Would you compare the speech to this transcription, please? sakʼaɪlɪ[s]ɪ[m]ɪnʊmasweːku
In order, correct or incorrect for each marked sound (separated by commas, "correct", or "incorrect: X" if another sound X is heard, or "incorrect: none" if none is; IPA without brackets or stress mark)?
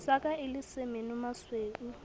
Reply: correct, correct